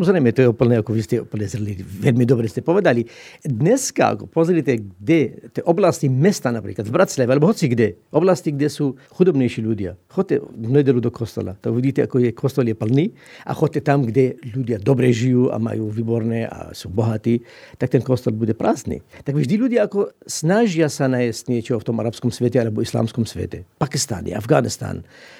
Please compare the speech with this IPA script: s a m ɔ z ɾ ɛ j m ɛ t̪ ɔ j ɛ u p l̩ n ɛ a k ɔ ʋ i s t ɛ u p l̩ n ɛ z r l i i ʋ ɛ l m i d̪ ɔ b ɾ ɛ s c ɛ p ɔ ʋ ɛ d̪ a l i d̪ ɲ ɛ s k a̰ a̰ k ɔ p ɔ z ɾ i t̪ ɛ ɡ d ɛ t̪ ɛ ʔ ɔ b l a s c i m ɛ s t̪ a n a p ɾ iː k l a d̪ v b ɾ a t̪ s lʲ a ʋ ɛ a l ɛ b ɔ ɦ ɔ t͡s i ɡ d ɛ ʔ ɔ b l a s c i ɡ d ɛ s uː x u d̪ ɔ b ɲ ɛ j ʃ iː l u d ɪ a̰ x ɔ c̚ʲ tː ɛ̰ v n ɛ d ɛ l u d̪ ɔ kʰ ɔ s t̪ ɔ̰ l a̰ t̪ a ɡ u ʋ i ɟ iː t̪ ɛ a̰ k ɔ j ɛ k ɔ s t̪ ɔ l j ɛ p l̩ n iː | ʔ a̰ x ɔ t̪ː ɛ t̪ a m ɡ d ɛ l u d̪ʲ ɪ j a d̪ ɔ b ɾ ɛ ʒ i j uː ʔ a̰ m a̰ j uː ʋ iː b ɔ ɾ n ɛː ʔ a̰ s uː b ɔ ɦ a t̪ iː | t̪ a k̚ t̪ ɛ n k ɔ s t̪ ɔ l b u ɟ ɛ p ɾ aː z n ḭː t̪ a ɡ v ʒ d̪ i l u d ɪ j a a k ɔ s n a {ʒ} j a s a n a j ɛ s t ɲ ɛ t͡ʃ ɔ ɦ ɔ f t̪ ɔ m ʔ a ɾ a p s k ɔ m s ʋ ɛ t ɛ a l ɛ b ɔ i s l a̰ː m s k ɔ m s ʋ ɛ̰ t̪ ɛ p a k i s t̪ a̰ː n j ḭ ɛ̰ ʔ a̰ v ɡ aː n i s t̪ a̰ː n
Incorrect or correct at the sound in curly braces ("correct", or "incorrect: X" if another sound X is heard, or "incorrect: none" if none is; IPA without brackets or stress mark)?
correct